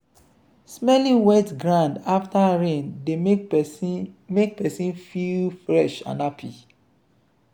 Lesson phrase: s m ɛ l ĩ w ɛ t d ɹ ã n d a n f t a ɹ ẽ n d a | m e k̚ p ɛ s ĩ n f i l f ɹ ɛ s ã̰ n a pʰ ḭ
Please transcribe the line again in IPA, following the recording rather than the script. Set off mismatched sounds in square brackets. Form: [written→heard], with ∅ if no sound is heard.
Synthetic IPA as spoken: s m ɛ l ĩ w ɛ t [d→ɡ] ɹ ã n d a [n→∅] f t a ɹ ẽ n d [a→e] | m e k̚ p ɛ s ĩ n f i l f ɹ ɛ [s→ʃ] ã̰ n a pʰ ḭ